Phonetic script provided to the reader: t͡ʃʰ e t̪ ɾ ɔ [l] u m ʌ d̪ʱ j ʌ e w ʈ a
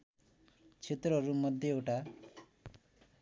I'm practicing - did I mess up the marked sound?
yes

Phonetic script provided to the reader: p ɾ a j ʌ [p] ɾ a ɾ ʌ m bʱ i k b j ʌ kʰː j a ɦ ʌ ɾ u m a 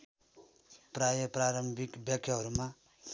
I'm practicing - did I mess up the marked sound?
no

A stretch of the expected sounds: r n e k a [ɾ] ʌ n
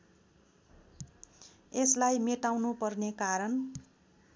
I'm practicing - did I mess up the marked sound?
no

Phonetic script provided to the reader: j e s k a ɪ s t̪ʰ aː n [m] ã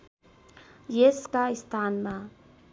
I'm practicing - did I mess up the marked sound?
no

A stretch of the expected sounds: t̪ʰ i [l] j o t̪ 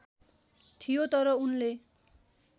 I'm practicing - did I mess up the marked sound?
yes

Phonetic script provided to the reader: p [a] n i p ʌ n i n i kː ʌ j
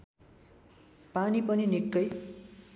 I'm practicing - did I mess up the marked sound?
no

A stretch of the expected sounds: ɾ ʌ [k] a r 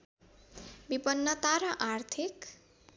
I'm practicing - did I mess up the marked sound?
yes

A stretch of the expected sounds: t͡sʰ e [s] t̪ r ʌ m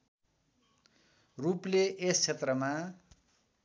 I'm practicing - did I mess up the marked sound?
yes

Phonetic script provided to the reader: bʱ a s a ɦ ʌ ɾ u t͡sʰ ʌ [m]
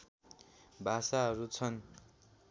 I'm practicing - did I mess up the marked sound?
yes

